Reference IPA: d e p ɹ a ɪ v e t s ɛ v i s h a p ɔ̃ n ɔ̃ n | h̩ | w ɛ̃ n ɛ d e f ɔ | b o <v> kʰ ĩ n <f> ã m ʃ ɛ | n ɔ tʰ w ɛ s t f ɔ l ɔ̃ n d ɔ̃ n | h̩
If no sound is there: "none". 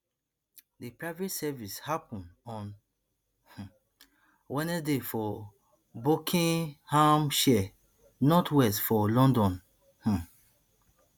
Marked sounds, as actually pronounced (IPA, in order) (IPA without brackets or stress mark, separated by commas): none, h